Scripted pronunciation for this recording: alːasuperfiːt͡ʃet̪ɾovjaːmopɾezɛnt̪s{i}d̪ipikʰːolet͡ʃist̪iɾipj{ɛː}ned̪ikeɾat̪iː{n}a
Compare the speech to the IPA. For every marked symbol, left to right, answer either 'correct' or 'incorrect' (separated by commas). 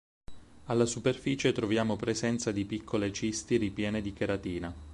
incorrect, correct, correct